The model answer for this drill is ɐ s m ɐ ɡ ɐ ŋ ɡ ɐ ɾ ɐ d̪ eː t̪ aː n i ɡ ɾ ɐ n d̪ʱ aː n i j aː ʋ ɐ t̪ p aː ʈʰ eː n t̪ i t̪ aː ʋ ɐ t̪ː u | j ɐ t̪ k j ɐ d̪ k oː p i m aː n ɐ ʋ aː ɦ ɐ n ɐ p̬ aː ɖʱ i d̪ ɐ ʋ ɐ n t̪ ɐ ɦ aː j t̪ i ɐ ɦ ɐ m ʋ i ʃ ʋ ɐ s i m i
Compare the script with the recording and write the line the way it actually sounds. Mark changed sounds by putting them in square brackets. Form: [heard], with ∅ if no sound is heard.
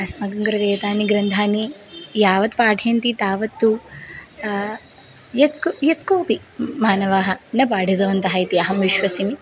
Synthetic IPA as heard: ɐ s m ɐ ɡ ɐ ŋ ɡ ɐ ɾ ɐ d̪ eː t̪ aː n i ɡ ɾ ɐ n d̪ʱ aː n i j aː ʋ ɐ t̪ p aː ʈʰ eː n t̪ i t̪ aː ʋ ɐ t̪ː u | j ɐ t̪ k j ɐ [t̪] k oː p i m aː n ɐ ʋ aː ɦ ɐ n ɐ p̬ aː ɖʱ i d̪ ɐ ʋ ɐ n t̪ ɐ ɦ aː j t̪ i ɐ ɦ ɐ m ʋ i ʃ ʋ ɐ s i m i